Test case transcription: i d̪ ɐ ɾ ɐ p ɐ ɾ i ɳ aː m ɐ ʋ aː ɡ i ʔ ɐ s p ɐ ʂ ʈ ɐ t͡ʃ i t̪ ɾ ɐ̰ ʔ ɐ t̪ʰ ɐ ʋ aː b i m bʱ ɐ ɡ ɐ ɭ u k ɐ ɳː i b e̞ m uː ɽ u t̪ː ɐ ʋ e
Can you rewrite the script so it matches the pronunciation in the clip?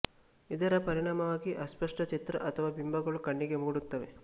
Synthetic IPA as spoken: i d̪ ɐ ɾ ɐ p ɐ ɾ i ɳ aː m ɐ ʋ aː ɡ i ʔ ɐ s p ɐ ʂ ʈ ɐ t͡ʃ i t̪ ɾ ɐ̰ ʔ ɐ t̪ʰ ɐ ʋ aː b i m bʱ ɐ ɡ ɐ ɭ u k ɐ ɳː i ɡ e̞ m uː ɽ u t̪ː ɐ ʋ e